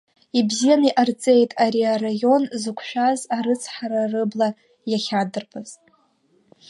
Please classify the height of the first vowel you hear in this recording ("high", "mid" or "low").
high